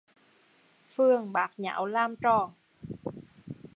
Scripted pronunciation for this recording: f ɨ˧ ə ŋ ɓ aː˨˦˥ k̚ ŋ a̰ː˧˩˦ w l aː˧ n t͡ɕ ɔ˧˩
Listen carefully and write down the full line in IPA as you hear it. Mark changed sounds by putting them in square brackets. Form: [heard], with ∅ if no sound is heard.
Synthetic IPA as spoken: f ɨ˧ ə ŋ ɓ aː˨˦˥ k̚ [ɲ] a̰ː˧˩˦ w l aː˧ [m] t͡ɕ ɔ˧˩

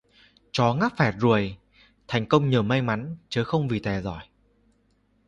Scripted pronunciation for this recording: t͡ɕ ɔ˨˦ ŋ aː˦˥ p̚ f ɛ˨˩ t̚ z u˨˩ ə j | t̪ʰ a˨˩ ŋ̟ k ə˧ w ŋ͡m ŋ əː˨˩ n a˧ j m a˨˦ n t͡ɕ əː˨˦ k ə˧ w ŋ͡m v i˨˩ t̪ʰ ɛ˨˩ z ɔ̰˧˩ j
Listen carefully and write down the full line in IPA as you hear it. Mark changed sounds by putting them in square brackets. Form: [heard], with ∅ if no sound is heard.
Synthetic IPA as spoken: t͡ɕ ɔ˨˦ ŋ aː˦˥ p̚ f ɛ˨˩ t̚ z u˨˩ ə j | t̪ʰ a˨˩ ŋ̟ k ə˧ w ŋ͡m [ɲ] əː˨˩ [m] a˧ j m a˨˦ n t͡ɕ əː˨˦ [x] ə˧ w ŋ͡m v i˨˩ [t̪] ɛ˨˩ z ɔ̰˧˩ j

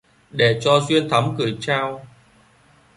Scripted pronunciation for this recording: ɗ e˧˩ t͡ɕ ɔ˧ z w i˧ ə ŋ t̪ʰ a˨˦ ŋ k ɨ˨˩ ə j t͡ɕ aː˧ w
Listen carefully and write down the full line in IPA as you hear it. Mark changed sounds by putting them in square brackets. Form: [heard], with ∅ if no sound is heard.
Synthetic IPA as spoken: ɗ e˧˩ t͡ɕ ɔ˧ z w i˧ ə [n] t̪ʰ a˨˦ [m] k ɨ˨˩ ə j t͡ɕ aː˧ w

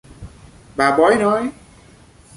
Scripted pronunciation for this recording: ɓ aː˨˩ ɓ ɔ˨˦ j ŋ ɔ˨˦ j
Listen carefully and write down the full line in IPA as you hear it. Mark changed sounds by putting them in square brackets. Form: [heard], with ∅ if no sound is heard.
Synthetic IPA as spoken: ɓ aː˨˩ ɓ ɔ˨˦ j [n] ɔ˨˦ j

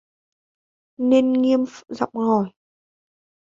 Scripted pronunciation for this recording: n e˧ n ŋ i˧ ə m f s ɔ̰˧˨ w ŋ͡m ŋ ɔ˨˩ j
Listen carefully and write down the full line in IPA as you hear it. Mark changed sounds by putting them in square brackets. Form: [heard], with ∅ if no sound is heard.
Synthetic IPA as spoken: n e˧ n ŋ i˧ ə m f [z] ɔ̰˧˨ w ŋ͡m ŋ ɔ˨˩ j

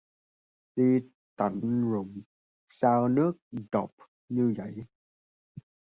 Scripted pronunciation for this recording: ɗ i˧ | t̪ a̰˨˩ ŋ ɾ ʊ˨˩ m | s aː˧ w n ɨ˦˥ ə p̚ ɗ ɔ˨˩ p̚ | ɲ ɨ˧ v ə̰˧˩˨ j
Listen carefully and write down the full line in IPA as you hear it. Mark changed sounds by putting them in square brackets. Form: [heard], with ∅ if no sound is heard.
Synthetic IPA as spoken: ɗ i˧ | t̪ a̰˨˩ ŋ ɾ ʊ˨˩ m | s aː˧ w n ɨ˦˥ ə [k̚] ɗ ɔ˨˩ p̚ | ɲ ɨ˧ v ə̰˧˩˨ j

